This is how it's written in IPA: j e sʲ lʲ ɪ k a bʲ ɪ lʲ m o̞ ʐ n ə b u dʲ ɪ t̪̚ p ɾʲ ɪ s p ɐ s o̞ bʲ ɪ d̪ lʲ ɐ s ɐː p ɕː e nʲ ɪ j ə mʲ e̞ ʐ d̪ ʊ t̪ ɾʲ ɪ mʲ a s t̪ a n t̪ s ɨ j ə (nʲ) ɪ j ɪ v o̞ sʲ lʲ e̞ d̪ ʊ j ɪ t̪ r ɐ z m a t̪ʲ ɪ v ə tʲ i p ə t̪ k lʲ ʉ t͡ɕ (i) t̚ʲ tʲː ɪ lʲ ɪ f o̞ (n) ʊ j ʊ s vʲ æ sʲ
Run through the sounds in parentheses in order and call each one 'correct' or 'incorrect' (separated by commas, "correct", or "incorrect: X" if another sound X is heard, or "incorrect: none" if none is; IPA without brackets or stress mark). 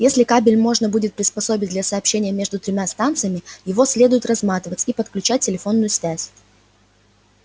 incorrect: mʲ, incorrect: æ, incorrect: nː